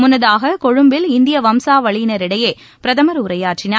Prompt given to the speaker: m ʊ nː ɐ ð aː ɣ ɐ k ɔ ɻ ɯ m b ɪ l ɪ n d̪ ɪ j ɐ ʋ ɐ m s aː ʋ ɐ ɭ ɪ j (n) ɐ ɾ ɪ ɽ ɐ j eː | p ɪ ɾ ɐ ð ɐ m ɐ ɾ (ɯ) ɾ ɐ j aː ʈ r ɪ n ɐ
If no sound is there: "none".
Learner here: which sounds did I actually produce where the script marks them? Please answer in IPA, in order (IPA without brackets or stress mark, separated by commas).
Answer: n, ʊ